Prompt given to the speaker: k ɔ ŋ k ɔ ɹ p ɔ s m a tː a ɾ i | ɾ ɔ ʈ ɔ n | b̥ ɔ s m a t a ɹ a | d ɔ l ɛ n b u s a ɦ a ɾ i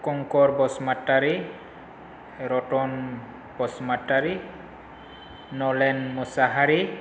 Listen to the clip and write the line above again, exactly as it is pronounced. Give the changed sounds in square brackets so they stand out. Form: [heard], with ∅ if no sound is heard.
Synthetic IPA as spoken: k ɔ ŋ k ɔ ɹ [b] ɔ s m a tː a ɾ i | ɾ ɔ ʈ ɔ n | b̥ ɔ s m a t a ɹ [i] | [n] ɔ l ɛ n [m] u s a ɦ a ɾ i